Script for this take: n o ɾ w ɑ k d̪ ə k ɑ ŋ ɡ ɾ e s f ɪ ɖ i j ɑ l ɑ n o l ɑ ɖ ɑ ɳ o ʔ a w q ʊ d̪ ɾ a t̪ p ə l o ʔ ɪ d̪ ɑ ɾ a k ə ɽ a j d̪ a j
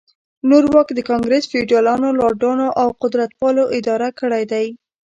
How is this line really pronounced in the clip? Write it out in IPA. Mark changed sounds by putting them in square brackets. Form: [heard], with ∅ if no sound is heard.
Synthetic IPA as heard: n o ɾ w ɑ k d̪ ə k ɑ ŋ ɡ ɾ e s f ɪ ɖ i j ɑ l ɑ n o l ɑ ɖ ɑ [n] o ʔ a w q ʊ d̪ ɾ a t̪ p [ɑ] l o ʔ ɪ d̪ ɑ ɾ a k ə ɽ a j d̪ a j